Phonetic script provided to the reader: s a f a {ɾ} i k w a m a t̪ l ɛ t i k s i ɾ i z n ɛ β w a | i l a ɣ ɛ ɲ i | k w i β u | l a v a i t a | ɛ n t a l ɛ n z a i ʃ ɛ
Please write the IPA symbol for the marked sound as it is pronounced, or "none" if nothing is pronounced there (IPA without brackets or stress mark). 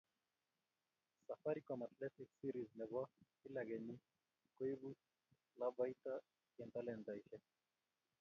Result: ɾ